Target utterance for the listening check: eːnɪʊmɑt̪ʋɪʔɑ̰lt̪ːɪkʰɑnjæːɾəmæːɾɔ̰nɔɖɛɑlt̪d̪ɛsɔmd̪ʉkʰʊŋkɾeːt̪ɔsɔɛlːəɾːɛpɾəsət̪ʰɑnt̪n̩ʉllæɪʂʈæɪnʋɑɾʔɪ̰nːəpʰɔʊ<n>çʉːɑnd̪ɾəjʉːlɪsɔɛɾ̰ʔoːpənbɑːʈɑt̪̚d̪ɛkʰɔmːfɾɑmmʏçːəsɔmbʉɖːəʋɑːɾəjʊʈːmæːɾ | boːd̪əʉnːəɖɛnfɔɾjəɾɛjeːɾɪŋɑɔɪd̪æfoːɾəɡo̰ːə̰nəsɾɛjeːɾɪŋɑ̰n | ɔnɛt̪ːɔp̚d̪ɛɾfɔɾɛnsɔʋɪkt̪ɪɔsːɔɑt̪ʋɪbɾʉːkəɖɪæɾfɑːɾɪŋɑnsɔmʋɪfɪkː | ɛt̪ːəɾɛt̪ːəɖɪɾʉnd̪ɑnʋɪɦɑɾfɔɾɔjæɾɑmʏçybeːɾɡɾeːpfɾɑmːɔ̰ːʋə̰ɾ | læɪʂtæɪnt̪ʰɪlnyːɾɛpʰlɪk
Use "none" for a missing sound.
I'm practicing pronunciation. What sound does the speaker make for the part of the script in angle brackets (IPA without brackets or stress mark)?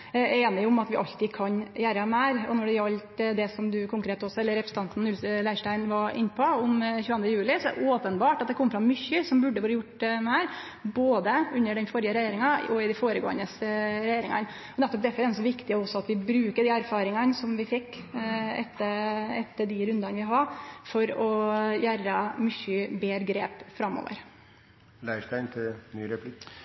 m